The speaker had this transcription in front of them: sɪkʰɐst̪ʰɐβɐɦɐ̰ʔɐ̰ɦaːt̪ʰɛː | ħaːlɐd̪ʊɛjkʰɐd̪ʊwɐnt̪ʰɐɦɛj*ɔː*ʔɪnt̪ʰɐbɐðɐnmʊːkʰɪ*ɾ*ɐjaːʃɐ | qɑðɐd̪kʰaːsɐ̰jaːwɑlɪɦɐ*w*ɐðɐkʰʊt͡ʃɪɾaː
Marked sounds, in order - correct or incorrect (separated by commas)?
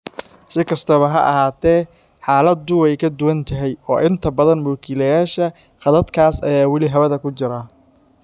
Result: correct, incorrect, incorrect